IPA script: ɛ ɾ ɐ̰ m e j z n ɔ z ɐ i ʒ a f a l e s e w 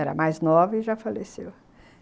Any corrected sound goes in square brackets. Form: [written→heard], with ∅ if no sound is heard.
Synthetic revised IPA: ɛ ɾ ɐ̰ m [e→a] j z n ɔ [z→v] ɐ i ʒ a f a l e s e w